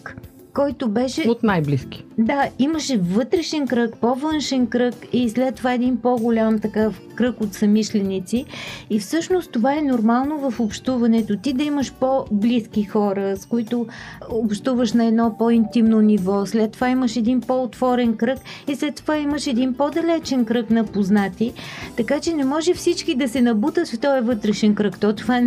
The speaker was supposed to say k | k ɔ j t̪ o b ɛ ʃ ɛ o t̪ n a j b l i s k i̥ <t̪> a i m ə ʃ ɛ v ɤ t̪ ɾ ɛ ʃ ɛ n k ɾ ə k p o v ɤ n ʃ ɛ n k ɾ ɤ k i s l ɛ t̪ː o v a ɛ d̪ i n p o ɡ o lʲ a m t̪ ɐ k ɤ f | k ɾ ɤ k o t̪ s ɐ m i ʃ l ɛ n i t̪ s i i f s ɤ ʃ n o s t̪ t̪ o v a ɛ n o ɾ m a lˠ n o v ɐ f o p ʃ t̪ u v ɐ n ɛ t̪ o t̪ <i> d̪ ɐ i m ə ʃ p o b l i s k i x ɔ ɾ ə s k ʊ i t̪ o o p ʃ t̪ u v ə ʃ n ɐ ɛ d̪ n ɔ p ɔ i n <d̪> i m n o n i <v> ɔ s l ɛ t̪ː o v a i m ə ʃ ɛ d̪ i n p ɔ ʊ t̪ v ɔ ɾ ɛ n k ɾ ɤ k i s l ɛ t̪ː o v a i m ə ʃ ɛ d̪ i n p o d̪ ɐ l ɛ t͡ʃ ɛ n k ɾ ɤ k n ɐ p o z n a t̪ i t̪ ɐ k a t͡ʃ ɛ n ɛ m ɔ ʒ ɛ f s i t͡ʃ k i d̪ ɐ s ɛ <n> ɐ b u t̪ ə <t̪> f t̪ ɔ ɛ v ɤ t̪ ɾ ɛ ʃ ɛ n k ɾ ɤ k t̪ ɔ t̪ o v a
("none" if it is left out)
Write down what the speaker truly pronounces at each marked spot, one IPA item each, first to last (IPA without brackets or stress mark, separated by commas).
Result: d̪, i, t̪, v, n, t̪